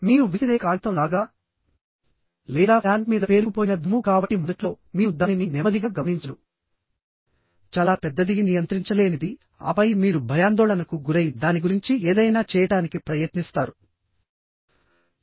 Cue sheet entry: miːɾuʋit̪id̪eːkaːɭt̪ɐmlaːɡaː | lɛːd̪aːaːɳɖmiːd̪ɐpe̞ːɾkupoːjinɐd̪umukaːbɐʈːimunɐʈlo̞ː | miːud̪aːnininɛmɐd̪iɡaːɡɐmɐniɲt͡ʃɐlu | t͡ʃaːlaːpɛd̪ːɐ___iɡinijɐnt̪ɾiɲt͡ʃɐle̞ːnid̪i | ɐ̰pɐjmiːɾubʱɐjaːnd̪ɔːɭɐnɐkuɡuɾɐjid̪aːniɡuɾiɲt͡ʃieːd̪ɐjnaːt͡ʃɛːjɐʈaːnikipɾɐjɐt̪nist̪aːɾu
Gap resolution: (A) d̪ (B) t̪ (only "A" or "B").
A